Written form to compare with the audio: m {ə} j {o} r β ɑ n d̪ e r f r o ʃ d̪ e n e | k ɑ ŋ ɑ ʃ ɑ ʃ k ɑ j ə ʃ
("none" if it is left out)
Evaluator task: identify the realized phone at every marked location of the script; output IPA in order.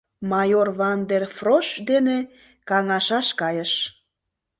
ɑ, o

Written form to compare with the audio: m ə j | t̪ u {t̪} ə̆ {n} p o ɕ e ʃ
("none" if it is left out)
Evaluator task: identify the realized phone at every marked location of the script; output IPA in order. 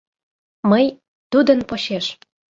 d̪, n

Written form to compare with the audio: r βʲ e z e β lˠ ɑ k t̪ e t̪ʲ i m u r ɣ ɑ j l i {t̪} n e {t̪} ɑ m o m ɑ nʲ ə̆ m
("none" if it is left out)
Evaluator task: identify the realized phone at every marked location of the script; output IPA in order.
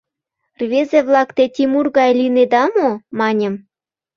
none, d̪

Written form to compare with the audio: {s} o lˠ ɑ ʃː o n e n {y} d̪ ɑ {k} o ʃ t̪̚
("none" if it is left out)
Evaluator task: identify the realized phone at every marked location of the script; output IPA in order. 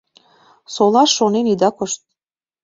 s, i, k

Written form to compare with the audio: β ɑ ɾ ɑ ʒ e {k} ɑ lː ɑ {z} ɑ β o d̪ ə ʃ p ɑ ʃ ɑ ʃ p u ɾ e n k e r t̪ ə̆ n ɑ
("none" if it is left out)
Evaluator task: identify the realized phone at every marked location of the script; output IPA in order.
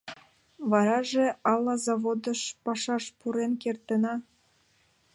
none, z

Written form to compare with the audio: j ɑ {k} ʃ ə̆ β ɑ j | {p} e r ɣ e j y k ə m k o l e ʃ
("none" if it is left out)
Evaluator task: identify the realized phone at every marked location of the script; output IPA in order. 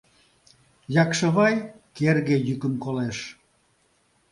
k, k

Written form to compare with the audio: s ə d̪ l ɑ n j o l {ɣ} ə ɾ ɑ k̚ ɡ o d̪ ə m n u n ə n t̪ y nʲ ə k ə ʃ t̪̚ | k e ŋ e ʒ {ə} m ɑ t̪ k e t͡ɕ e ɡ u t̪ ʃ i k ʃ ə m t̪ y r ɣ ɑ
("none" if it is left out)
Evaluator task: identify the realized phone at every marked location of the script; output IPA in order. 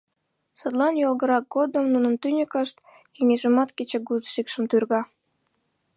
ɣ, ə

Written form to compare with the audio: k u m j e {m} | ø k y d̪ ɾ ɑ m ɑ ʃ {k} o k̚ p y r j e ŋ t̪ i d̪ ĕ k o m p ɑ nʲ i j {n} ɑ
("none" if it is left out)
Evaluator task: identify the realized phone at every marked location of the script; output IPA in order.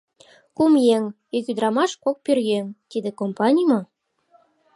ŋ, k, m

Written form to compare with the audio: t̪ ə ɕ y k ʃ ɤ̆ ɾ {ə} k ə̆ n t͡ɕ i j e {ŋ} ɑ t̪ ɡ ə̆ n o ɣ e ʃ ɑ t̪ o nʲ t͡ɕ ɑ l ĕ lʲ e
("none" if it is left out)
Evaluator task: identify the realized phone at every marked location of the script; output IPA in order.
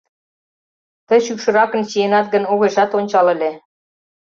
ɑ, n

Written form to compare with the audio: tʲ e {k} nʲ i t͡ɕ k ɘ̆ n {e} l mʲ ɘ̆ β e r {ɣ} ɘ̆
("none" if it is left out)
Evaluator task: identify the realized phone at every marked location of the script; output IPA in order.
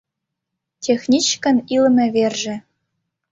x, i, ʒ

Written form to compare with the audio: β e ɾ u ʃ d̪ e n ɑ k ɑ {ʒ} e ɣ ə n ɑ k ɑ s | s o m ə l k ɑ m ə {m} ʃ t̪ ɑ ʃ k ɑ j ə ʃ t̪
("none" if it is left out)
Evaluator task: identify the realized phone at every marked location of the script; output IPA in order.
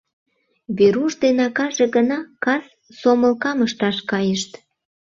ʒ, none

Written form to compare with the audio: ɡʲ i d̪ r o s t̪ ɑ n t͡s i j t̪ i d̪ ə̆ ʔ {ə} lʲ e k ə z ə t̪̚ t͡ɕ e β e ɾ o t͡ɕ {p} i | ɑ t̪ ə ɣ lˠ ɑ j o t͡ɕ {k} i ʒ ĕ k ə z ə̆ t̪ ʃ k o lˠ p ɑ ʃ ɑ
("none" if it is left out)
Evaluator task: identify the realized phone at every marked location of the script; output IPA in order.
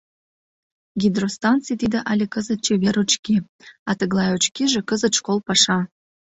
ɑ, k, k

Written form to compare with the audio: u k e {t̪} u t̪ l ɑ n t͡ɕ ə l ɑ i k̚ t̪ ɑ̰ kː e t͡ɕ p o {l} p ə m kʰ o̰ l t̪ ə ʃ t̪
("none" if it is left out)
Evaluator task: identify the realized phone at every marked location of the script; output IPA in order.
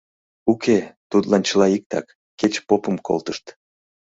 t̪, none

